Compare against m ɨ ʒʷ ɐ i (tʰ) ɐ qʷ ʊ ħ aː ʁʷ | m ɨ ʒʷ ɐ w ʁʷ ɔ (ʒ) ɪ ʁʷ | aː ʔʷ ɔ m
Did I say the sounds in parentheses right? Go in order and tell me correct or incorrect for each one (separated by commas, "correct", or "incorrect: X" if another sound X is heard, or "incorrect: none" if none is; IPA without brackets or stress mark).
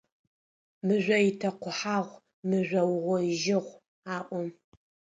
correct, correct